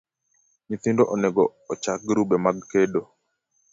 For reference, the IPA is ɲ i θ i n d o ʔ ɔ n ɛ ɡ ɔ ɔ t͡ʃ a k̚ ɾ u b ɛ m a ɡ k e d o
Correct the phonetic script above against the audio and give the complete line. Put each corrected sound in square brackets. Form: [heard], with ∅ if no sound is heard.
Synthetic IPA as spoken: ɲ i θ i n d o ʔ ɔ n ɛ ɡ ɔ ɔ t͡ʃ a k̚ ɾ u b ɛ m a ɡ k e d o